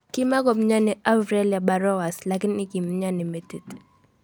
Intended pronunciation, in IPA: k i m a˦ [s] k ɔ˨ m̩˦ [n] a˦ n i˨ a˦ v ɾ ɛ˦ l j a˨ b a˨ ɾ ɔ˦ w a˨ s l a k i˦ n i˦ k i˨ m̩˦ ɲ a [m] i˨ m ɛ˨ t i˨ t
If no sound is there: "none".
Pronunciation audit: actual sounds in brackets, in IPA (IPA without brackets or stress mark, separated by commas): none, ɲ, n